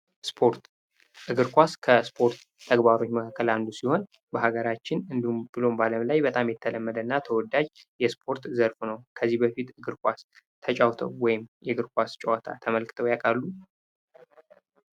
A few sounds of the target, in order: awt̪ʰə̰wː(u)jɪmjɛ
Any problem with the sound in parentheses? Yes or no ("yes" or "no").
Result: yes